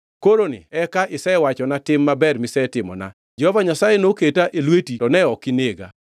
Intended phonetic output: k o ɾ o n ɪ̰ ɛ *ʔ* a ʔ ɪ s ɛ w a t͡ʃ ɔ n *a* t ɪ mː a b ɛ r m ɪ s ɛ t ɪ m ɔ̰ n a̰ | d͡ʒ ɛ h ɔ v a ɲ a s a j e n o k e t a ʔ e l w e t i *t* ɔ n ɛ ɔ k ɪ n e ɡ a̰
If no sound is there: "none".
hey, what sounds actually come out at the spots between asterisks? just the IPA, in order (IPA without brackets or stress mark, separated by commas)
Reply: k, a, t